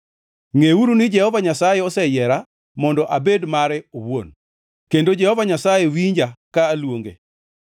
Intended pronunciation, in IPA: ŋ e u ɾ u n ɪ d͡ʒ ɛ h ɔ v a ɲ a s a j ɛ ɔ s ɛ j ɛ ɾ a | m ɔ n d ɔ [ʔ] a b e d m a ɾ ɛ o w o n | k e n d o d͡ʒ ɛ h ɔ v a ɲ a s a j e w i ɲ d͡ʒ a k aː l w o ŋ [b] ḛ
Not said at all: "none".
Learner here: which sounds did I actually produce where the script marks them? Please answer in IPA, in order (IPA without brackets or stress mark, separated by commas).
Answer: ʔ, ɡ